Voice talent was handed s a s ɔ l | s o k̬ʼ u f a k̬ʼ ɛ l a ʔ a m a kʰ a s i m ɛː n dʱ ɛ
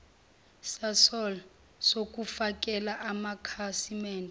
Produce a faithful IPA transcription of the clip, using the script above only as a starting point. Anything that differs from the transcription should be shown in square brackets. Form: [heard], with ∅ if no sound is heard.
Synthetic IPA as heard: s a s ɔ l | s o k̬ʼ u f a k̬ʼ ɛ l a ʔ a m a kʰ a s i m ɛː n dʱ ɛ